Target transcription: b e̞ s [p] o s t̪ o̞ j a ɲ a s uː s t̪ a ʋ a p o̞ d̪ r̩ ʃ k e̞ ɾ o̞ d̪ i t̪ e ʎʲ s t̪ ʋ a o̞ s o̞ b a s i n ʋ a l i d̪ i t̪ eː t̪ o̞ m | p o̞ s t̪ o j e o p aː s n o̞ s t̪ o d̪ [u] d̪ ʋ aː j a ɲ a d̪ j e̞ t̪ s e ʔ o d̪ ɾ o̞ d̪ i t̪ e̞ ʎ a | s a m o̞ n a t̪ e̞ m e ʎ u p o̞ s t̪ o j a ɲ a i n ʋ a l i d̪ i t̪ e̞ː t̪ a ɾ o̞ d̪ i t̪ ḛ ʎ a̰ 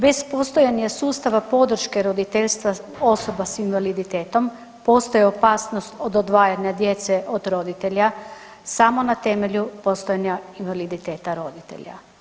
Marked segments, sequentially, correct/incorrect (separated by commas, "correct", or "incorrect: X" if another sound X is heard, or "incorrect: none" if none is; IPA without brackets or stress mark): correct, incorrect: o